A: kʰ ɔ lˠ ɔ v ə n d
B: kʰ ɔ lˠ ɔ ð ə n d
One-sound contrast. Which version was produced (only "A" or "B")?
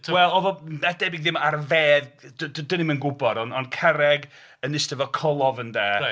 A